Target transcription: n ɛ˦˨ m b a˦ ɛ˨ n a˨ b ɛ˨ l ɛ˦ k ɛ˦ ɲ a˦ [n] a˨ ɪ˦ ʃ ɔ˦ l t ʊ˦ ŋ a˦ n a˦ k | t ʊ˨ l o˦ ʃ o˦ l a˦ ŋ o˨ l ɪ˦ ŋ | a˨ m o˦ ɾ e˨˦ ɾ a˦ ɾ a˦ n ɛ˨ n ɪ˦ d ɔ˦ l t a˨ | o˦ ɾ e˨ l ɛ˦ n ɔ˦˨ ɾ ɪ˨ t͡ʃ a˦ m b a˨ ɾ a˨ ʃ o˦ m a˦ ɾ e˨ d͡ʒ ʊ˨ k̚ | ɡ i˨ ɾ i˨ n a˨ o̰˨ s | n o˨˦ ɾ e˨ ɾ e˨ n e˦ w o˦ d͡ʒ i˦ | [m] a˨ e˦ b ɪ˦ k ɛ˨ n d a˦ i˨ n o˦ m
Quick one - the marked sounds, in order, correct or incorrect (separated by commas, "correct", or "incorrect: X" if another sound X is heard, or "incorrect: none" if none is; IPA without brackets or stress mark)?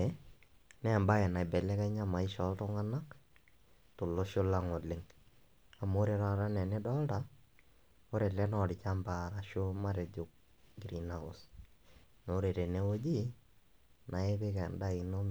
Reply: incorrect: m, incorrect: n